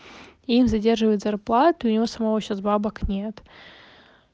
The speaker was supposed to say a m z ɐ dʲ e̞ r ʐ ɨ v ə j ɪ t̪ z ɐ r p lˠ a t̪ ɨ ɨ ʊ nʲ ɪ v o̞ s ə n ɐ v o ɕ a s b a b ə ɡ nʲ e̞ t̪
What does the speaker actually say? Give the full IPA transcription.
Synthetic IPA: i m z ɐ dʲ e̞ r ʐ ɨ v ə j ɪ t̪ z ɐ r p lˠ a t̪ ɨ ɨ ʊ nʲ ɪ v o̞ s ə m ɐ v o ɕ a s b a b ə k nʲ e̞ t̪